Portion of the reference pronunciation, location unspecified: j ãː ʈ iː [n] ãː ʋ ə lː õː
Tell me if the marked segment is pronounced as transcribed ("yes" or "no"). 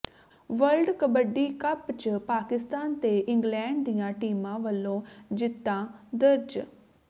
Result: no